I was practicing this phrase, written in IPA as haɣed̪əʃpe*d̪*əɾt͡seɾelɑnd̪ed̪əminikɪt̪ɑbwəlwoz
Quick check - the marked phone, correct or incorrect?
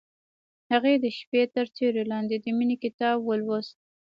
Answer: incorrect